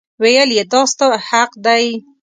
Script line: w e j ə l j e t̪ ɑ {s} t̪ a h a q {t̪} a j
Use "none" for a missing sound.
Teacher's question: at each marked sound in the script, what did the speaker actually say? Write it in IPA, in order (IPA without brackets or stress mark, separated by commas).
s, d̪